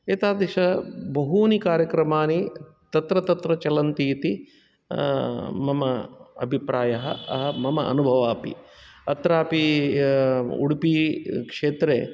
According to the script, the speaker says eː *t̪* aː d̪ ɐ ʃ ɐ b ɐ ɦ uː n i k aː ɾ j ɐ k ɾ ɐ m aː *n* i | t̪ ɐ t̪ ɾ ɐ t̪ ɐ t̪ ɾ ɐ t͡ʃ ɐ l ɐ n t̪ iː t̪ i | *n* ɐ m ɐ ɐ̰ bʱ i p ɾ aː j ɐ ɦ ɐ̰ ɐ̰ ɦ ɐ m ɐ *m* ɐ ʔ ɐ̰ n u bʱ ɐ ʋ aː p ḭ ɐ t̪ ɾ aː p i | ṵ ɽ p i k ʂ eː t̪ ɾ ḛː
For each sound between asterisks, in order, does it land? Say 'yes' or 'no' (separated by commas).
yes, yes, no, yes